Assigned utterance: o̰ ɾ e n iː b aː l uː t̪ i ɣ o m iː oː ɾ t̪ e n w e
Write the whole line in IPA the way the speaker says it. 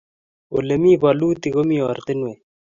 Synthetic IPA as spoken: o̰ l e m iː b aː l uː t̪ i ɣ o m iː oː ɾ t̪ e n w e